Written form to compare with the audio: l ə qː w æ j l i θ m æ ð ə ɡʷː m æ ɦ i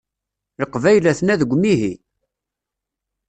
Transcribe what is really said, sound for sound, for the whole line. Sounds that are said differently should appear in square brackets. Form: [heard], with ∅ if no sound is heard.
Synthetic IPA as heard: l ə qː [v] æ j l [æ] θ [n] æ ð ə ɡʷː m [i] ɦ i